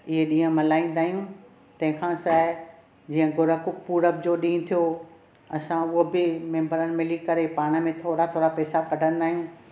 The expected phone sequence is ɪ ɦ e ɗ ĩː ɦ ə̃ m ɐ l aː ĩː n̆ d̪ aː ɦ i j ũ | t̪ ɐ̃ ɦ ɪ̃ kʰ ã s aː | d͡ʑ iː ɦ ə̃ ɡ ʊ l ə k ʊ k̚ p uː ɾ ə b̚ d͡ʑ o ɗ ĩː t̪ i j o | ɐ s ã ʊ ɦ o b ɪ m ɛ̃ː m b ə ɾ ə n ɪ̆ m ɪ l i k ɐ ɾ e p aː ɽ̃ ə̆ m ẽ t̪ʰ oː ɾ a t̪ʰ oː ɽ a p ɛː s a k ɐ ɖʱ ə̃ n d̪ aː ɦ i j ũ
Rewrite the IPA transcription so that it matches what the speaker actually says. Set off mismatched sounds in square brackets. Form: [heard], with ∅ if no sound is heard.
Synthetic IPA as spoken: ɪ ɦ e ɗ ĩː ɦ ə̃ m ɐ l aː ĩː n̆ d̪ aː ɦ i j ũ | t̪ ɐ̃ ɦ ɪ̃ kʰ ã s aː | d͡ʑ iː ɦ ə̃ ɡ ʊ [ɾ] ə k ʊ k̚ p uː ɾ ə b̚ d͡ʑ o ɗ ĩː [t̪ʰ] i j o | ɐ s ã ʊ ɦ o b ɪ m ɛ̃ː m b ə ɾ ə n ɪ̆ m ɪ l i k ɐ ɾ e p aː ɽ̃ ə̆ m ẽ t̪ʰ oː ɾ a t̪ʰ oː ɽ a p ɛː s a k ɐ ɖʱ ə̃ n d̪ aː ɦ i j ũ